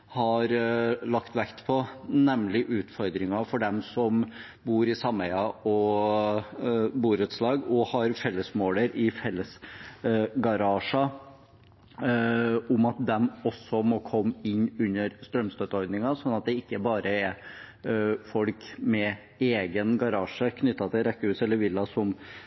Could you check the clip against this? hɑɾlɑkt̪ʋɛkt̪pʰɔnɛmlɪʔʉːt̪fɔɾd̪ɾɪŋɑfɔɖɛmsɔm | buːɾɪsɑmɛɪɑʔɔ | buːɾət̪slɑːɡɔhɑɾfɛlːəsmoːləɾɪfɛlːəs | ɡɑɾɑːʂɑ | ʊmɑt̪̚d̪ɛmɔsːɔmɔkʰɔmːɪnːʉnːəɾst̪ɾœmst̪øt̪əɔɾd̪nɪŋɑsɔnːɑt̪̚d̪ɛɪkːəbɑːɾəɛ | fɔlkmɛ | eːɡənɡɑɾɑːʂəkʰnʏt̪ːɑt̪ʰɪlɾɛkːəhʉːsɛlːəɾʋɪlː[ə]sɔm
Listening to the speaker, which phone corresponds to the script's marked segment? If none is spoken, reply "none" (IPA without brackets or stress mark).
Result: ɑ